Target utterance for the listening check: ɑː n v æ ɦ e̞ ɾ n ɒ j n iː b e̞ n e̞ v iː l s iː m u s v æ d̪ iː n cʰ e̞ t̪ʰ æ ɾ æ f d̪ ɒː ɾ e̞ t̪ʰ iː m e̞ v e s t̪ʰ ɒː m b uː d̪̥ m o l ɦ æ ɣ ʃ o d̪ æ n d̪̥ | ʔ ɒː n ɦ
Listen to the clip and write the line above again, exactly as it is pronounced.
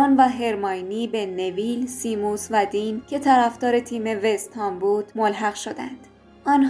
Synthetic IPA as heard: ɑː n v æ ɦ e̞ ɾ m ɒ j n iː b e̞ n e̞ v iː l s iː m u s v æ d̪ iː n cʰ e̞ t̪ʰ æ ɾ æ f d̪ ɒː ɾ e̞ t̪ʰ iː m e̞ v e s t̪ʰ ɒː m b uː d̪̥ m o l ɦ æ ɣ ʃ o d̪ æ n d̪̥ | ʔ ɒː n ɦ